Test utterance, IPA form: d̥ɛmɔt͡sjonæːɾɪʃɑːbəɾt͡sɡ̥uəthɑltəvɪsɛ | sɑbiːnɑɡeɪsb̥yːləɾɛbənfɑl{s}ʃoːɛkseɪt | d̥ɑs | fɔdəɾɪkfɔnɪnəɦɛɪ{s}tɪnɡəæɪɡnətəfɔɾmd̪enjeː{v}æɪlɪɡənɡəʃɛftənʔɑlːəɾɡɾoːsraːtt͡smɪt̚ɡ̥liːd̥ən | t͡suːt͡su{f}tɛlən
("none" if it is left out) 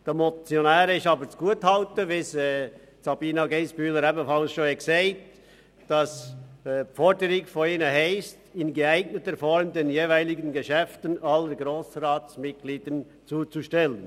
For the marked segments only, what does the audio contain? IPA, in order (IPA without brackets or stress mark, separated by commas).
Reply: s, s, v, ʃ